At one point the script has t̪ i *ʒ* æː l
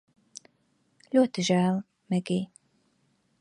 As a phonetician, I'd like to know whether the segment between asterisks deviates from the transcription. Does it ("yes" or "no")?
no